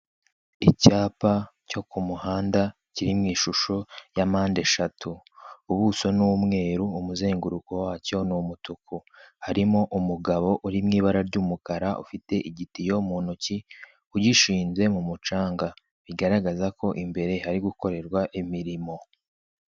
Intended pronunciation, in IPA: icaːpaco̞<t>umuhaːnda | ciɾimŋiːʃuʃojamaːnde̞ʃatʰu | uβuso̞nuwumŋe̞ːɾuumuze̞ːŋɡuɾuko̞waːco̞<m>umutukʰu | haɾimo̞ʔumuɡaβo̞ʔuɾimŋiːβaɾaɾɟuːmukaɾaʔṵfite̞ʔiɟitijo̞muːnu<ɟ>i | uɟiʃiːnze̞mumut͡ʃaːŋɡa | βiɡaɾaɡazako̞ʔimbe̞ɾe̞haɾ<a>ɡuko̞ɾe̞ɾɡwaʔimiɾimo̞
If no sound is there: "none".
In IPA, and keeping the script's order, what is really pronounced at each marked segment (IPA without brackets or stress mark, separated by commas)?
k, n, c, i